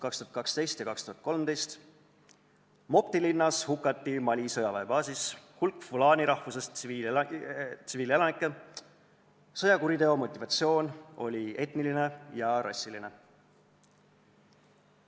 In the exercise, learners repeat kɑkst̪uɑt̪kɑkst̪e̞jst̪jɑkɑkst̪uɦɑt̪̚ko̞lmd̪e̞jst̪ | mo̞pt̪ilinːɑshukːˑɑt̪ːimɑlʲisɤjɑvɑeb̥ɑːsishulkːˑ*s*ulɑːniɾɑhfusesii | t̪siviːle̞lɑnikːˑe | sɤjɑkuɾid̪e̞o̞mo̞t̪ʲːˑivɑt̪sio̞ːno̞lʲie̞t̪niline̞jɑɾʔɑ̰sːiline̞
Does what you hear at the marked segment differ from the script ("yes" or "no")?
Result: yes